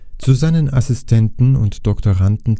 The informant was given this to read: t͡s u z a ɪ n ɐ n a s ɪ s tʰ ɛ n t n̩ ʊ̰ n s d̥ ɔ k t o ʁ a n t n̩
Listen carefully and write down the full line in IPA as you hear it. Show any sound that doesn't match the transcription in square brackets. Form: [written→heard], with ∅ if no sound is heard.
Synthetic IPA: t͡s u z a ɪ n [ɐ→ə] n a s ɪ s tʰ ɛ n t n̩ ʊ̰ n [s→t] d̥ ɔ k t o ʁ a n t n̩